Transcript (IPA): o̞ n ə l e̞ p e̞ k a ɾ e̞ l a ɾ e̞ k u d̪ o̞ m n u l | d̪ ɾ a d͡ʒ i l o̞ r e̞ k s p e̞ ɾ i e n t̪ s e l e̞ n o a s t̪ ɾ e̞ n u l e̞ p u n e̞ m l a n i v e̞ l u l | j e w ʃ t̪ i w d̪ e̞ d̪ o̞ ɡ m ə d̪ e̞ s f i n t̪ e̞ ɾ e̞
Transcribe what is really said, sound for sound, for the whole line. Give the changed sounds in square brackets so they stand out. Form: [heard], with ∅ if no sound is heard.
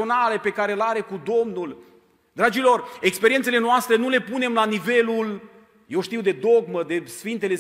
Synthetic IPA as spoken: o̞ n [a] l e̞ p e̞ k a ɾ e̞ l a ɾ e̞ k u d̪ o̞ m n u l | d̪ ɾ a d͡ʒ i l o̞ r e̞ k s p e̞ ɾ i e n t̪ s e l e̞ n o a s t̪ ɾ e̞ n u l e̞ p u n e̞ m l a n i v e̞ l u l | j e w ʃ t̪ i w d̪ e̞ d̪ o̞ ɡ m ə d̪ e̞ s f i n t̪ e̞ [l] e̞